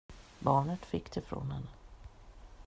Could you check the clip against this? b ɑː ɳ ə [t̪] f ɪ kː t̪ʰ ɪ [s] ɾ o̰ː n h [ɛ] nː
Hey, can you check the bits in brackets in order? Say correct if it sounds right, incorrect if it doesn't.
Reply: correct, incorrect: f, correct

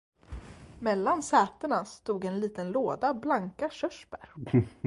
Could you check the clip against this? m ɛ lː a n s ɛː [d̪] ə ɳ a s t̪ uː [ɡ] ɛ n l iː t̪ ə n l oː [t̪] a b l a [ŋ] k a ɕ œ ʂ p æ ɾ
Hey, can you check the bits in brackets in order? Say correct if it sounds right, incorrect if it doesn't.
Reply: incorrect: t̪, correct, incorrect: d̪, correct

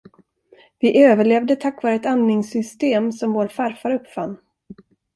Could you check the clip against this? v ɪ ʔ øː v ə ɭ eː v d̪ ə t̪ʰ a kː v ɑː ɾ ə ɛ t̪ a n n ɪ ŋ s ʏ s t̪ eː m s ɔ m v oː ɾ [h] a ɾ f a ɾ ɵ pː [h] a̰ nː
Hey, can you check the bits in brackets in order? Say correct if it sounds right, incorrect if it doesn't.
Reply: incorrect: f, incorrect: f

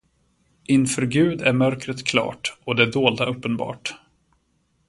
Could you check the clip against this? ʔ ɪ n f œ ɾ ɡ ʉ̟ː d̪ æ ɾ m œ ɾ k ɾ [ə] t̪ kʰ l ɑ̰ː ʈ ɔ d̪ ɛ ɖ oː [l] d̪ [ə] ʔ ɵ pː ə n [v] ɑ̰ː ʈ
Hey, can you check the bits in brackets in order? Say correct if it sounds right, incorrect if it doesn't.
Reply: correct, correct, incorrect: a, incorrect: b

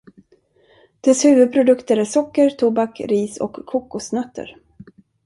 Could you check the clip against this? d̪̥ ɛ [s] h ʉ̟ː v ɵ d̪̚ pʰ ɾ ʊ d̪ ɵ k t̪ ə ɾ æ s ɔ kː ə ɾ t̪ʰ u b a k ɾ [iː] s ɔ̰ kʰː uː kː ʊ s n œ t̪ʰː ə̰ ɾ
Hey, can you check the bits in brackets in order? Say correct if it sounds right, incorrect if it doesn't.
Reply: correct, correct

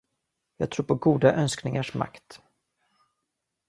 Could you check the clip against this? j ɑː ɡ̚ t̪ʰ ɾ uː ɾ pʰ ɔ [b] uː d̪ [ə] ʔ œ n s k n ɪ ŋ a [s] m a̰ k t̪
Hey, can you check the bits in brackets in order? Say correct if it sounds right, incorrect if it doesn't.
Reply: incorrect: ɡ, incorrect: a, incorrect: ʂ

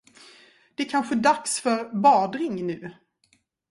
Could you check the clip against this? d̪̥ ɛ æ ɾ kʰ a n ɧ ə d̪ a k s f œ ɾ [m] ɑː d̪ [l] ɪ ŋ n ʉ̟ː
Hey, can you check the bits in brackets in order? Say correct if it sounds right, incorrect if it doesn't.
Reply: incorrect: b, incorrect: ɾ

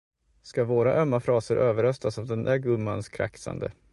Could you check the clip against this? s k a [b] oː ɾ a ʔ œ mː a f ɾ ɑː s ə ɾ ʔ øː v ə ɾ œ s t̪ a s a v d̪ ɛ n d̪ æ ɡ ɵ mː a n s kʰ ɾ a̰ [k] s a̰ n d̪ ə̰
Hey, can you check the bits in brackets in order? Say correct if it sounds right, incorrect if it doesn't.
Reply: incorrect: v, correct

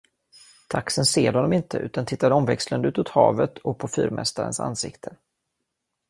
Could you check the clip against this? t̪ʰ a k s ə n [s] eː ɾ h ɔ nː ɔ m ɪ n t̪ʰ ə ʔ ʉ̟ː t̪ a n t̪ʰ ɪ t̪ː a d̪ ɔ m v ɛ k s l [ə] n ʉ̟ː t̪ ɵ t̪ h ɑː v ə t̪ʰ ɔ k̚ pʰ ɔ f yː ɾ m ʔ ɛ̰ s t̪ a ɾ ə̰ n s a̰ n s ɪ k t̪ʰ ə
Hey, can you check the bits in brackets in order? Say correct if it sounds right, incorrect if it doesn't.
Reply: correct, correct

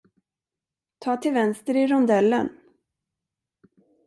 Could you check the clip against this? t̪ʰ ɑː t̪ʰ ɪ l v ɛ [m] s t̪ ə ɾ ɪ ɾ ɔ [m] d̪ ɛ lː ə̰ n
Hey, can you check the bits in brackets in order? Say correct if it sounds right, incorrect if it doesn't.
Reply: incorrect: n, incorrect: n

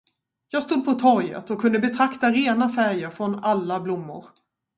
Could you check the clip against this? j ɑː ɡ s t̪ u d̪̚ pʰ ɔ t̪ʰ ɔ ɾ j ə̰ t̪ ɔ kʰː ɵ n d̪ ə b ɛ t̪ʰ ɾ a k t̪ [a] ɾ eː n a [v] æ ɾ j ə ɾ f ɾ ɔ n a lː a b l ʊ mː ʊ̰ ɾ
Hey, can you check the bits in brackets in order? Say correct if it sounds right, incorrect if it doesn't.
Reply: correct, incorrect: f

